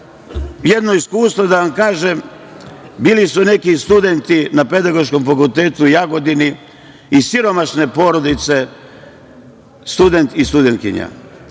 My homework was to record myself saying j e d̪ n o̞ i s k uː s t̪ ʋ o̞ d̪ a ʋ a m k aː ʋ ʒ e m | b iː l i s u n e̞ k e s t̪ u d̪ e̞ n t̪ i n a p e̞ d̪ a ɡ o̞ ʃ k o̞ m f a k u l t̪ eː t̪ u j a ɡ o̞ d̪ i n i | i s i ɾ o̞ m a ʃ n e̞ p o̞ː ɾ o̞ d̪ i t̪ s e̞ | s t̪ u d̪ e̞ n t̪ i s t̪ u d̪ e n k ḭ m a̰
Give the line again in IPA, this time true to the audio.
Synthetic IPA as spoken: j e d̪ n o̞ i s k uː s t̪ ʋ o̞ d̪ a ʋ a m k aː ʒ e m | b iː l i s u n e̞ k i s t̪ u d̪ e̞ n t̪ i n a p e̞ d̪ a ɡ o̞ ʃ k o̞ m f a k u l t̪ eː t̪ u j a ɡ o̞ d̪ i n i | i s i ɾ o̞ m a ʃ n e̞ p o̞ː ɾ o̞ d̪ i t̪ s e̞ | s t̪ u d̪ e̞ n t̪ i s t̪ u d̪ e n k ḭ ɲ a̰